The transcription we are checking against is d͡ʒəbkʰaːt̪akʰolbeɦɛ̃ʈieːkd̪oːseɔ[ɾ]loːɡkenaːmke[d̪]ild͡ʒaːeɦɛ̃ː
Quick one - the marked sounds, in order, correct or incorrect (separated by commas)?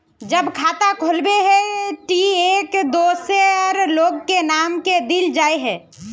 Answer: correct, correct